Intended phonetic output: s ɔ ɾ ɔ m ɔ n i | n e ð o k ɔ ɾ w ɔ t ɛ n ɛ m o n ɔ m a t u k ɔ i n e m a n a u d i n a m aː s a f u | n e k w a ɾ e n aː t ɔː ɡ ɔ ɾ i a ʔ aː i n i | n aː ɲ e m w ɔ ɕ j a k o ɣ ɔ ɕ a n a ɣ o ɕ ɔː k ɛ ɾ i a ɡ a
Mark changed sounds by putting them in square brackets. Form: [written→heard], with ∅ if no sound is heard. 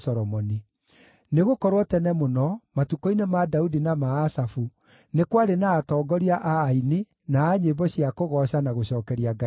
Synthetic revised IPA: s ɔ ɾ ɔ m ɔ n i | n e [ð→ɣ] o k ɔ ɾ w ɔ t ɛ n ɛ m o n ɔ m a t u k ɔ i n e m a [n→d] a u d i n a m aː s a f u | n e k w a ɾ e n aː t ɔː ɡ ɔ ɾ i a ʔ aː i n i | n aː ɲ e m [w→b] ɔ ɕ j a k o ɣ ɔ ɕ a n a ɣ o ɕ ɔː k ɛ ɾ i a ɡ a